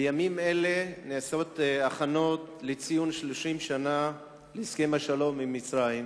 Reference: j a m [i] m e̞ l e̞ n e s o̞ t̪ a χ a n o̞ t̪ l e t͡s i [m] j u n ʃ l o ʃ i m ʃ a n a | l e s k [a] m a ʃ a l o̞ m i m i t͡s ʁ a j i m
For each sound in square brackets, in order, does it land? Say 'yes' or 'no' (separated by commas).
yes, no, no